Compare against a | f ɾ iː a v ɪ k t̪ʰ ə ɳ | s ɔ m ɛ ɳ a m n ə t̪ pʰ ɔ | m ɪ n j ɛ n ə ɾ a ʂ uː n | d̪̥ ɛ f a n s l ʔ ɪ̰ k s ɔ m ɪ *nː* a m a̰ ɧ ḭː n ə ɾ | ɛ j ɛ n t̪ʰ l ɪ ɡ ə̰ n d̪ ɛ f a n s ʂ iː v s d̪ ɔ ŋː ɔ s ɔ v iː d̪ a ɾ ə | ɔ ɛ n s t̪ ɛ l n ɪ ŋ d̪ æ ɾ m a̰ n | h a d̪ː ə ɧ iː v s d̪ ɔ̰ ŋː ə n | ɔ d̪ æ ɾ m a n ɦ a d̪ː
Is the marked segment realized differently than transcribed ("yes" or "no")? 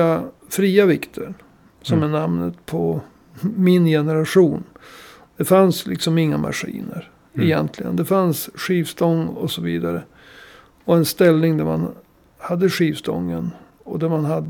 yes